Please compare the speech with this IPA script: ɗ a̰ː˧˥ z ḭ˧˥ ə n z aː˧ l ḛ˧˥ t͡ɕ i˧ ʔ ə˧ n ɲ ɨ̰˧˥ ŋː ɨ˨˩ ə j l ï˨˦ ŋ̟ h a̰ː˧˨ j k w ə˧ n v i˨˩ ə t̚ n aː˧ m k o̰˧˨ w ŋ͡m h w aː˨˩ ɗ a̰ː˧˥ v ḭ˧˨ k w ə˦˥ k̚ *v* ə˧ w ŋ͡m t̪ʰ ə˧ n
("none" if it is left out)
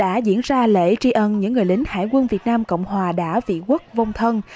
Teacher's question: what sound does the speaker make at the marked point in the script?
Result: v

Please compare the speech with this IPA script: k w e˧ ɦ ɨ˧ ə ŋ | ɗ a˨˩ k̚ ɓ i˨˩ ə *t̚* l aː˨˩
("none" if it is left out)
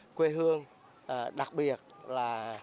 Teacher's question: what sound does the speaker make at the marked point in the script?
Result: t̚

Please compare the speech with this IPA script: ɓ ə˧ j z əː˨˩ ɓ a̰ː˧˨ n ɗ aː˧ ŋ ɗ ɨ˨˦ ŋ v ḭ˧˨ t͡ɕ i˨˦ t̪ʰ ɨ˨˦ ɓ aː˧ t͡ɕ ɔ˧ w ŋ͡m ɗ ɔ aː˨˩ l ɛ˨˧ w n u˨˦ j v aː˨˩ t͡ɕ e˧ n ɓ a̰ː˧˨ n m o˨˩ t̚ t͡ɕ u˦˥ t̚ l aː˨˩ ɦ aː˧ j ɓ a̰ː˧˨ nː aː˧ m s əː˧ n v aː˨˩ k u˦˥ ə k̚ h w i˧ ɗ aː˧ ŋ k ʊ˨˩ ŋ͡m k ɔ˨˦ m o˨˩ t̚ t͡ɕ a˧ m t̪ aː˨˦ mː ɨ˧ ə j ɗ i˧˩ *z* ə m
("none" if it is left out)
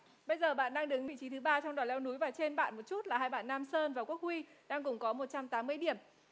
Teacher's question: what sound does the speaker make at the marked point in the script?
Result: none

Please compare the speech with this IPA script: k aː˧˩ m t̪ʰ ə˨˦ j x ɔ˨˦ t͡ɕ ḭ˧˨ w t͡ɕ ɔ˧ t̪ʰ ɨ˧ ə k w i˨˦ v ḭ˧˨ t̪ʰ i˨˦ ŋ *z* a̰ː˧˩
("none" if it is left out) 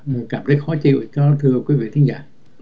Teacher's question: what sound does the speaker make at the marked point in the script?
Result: z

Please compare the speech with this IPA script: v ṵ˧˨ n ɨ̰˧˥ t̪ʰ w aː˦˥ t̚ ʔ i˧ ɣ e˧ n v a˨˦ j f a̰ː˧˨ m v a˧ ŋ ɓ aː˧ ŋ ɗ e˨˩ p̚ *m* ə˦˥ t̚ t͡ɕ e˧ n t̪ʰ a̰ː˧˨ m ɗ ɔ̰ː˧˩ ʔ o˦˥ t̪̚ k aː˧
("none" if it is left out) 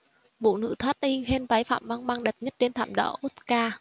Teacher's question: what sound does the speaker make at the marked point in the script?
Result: ɲ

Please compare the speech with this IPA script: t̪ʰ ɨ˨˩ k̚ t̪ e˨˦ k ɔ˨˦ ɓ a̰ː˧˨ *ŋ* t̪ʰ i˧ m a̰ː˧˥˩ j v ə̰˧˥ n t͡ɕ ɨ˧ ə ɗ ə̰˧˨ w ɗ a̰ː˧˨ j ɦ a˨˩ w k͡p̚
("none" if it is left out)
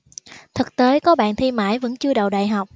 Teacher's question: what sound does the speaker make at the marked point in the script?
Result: n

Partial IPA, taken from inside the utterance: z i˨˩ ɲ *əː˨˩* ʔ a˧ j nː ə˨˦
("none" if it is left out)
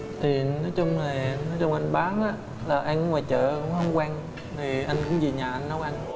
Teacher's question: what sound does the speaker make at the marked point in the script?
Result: aː˨˩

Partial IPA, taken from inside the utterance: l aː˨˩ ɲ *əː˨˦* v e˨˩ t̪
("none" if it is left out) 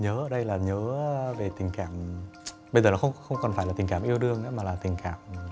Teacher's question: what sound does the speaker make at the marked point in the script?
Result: əː˨˦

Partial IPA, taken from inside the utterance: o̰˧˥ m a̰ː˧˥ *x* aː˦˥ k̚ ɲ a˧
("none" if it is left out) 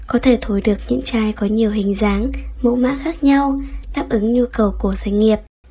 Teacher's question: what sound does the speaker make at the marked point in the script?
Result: x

